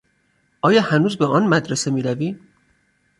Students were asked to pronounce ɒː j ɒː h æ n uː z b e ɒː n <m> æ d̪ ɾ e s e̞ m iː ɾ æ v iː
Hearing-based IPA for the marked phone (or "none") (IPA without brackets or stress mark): m